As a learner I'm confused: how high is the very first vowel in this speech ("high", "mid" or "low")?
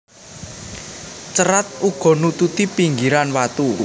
mid